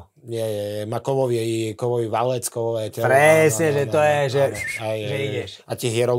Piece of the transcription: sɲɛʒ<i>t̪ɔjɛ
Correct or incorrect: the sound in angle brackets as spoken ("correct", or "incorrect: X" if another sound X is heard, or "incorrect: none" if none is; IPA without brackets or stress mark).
incorrect: ɛ